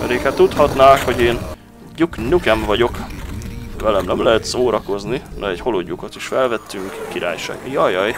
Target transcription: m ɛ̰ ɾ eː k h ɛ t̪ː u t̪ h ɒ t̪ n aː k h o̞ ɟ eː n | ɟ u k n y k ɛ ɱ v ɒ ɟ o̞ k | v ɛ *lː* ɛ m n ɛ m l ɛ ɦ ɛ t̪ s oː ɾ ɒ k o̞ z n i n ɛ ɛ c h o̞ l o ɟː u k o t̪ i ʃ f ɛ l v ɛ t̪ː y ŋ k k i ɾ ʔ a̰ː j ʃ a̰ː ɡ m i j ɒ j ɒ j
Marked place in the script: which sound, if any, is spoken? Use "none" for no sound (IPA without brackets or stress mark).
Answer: l